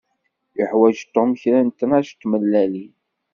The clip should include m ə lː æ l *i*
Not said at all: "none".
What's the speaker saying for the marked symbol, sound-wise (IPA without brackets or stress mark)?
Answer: i